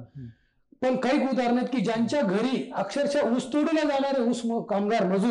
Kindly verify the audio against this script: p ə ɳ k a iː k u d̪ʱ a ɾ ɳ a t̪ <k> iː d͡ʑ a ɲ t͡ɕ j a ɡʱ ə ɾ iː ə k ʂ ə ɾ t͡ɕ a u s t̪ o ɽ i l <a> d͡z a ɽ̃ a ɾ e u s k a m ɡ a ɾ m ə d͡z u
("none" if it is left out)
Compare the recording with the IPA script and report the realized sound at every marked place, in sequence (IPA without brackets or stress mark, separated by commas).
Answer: k, a